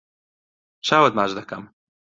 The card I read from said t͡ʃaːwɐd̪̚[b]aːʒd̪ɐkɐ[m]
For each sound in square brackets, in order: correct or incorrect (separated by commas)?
incorrect, correct